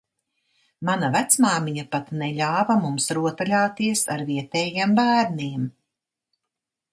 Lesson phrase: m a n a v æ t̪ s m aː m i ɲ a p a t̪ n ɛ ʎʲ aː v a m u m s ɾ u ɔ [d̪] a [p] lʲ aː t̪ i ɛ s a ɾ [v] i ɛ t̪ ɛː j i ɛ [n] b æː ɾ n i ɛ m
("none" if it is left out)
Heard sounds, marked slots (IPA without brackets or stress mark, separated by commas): t̪, none, v, m